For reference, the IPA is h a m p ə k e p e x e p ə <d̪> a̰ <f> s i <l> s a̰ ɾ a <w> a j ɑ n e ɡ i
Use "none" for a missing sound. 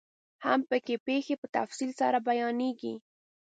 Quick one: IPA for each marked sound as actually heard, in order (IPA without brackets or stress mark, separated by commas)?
t̪, f, l, b